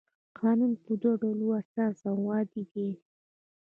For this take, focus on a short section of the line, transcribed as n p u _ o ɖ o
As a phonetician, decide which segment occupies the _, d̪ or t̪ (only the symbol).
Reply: d̪